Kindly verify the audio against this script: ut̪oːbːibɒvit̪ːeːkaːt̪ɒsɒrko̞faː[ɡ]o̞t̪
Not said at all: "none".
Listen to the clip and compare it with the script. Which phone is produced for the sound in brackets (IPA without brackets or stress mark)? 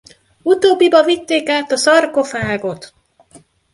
ɡ